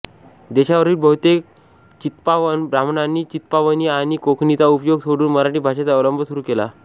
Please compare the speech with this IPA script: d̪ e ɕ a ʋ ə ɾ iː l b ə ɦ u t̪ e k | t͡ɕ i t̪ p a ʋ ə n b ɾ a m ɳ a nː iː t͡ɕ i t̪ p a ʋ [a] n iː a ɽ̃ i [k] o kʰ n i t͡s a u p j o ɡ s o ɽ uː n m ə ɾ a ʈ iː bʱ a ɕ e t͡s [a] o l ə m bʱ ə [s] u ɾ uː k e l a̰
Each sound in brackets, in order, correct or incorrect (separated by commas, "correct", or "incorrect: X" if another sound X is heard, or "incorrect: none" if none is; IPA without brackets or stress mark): incorrect: ə, correct, correct, correct